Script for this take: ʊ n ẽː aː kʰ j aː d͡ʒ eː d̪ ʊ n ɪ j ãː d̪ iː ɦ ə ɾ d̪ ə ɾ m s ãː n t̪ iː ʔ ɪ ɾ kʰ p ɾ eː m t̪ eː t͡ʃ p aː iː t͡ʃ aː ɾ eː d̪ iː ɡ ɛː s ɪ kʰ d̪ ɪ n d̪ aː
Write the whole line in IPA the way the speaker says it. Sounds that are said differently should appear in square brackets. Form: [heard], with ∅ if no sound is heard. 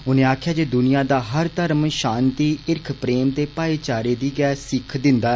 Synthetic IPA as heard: ʊ n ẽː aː kʰ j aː d͡ʒ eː d̪ ʊ n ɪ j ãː d̪ [aː] ɦ ə ɾ [t̪] ə ɾ m [ʃ] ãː n t̪ iː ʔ ɪ ɾ kʰ p ɾ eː m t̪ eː [∅] p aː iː t͡ʃ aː ɾ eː d̪ iː ɡ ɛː s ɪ kʰ d̪ ɪ n d̪ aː